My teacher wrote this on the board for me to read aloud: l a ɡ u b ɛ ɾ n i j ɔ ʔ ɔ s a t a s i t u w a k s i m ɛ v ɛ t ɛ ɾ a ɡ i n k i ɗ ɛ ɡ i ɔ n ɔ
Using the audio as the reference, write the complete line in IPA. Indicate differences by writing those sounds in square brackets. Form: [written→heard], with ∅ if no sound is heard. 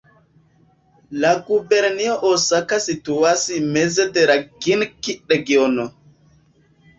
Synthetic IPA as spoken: l a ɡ u b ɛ ɾ n i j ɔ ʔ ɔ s a [t→k] a s i t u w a [k→∅] s i m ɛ [v→z] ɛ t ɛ ɾ a ɡ i n k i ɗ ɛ ɡ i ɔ n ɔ